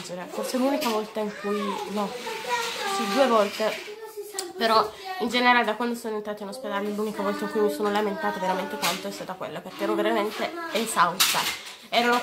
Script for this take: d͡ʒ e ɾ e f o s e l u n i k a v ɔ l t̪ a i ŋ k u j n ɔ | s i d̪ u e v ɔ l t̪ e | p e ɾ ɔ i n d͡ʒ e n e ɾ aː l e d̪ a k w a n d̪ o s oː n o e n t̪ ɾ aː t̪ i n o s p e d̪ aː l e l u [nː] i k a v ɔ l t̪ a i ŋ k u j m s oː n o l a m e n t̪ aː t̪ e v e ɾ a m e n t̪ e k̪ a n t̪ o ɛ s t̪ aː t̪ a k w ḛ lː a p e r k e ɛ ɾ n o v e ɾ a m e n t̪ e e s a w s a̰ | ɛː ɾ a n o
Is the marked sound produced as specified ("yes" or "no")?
no